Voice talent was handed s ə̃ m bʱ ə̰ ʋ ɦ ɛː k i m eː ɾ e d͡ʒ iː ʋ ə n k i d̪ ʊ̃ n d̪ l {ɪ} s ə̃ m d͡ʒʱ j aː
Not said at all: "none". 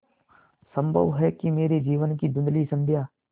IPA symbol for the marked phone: i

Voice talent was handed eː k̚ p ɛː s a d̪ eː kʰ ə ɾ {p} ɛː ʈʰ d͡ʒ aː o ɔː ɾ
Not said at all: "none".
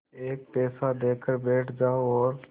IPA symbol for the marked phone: b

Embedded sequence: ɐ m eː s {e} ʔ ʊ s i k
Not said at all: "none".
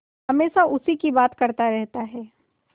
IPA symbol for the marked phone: a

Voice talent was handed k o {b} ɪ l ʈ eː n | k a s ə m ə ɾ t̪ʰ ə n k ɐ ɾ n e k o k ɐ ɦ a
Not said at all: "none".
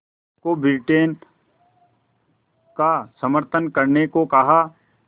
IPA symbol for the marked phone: b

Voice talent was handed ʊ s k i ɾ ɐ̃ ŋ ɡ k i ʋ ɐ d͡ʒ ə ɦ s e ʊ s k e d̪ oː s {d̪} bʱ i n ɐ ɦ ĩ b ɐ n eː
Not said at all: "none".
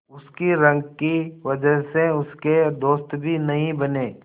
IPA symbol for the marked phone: t̪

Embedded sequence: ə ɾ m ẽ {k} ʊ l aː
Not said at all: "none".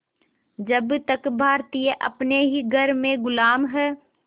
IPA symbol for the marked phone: ɡ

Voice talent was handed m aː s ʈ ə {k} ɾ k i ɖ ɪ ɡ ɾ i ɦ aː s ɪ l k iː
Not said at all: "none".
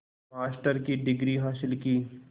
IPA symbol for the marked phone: none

